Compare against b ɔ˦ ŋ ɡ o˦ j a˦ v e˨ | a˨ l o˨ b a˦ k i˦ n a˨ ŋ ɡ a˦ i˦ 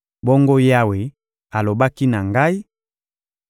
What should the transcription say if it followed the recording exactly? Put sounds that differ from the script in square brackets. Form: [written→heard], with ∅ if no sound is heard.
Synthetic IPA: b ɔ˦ ŋ ɡ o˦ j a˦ [v→w] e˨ | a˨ l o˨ b a˦ k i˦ n a˨ ŋ ɡ a˦ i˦